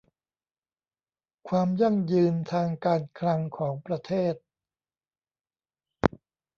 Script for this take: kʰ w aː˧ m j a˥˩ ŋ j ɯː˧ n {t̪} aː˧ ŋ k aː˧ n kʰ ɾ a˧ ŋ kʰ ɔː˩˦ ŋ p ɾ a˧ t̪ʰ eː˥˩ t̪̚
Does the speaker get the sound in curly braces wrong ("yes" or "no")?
yes